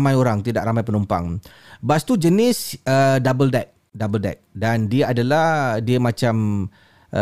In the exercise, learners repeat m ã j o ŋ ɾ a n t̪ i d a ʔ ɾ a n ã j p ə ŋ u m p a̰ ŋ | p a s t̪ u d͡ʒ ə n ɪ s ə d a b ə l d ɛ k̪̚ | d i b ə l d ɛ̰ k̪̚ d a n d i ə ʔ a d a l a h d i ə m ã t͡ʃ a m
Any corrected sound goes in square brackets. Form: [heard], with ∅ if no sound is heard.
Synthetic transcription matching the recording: m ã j o [∅] ɾ a [ŋ] t̪ i d a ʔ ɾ a [m] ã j p ə [n] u m p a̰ ŋ | [b] a s t̪ u d͡ʒ ə n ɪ s ə d a b ə l d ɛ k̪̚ | d [a] b ə l d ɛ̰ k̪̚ d a n d i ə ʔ a d a l a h d i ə m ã t͡ʃ a m